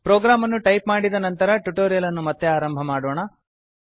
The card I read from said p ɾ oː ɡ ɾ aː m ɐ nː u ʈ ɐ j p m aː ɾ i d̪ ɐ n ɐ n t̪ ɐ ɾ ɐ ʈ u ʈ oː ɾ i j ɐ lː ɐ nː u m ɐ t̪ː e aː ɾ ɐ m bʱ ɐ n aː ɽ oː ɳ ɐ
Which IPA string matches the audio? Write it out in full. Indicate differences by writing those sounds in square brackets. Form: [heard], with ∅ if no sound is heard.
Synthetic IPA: p ɾ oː ɡ ɾ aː m ɐ nː u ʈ ɐ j p m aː [ɽ] i d̪ ɐ n ɐ n t̪ ɐ ɾ ɐ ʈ u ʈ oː ɾ i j ɐ [l] ɐ nː u m ɐ t̪ː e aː ɾ ɐ m bʱ ɐ [m] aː ɽ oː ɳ ɐ